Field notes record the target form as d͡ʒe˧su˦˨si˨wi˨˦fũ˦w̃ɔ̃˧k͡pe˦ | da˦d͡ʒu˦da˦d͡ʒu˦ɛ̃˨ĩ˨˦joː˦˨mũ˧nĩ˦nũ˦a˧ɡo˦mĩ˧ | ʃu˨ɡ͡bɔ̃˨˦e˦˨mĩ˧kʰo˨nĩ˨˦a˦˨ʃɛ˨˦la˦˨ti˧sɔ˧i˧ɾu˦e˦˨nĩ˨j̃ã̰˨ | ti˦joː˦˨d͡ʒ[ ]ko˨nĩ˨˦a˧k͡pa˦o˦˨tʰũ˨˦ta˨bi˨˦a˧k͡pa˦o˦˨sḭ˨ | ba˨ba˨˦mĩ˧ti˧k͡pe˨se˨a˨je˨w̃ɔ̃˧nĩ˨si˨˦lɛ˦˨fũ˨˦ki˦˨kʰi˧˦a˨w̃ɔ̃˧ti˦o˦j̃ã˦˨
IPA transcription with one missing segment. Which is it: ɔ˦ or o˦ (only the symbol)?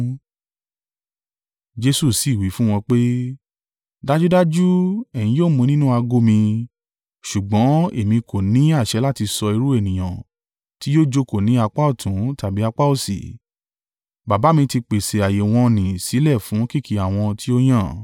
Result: o˦